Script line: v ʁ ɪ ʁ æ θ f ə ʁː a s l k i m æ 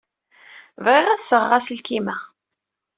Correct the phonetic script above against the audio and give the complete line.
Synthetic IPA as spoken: v ʁ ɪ ʁ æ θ s ə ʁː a s l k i m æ